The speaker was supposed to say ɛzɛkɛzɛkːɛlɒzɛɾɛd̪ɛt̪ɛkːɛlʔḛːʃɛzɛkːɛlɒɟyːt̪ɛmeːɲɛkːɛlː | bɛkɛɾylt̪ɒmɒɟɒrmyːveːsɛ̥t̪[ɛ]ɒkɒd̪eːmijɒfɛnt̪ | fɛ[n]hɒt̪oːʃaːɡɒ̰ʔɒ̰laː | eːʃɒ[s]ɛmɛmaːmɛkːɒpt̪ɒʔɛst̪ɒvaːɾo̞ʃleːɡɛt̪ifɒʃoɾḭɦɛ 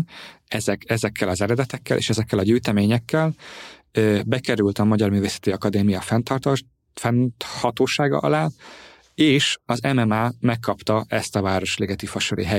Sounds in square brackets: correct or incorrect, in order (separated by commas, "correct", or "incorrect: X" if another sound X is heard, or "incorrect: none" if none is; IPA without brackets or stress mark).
incorrect: i, correct, incorrect: z